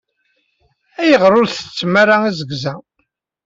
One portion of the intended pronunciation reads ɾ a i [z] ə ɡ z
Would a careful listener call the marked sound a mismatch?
no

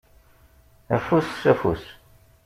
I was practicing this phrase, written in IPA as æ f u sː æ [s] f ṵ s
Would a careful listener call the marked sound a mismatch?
yes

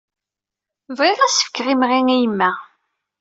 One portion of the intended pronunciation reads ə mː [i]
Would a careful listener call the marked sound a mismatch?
yes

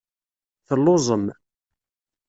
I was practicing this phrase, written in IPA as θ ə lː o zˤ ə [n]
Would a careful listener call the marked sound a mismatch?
yes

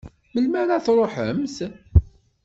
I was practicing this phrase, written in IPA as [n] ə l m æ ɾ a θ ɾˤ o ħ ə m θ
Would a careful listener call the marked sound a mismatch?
yes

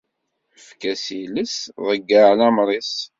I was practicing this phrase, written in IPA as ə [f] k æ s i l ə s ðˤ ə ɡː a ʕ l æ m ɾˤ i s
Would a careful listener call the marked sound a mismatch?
no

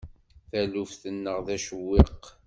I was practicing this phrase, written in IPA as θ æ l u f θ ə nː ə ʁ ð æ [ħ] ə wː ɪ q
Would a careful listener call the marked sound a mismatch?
yes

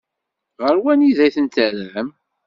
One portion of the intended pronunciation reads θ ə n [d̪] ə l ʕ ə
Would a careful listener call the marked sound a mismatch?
yes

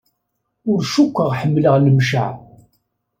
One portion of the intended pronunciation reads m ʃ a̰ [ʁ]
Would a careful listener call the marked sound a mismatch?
yes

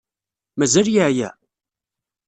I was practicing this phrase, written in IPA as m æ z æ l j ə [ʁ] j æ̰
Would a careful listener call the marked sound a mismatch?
yes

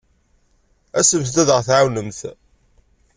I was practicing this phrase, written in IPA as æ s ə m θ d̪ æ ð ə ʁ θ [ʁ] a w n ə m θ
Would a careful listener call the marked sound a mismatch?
yes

